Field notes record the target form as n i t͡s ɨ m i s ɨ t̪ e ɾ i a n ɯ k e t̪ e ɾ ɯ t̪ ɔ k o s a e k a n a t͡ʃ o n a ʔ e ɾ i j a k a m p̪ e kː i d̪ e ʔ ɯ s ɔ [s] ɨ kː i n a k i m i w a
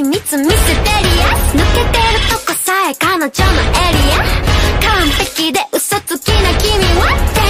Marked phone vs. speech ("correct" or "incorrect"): incorrect